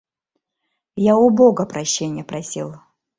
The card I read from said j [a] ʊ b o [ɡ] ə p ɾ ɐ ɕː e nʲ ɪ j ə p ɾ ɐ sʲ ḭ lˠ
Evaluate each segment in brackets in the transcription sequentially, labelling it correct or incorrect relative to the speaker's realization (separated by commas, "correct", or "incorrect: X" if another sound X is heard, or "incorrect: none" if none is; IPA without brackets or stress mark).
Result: correct, correct